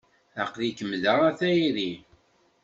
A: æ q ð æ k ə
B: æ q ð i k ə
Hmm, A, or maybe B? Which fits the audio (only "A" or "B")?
B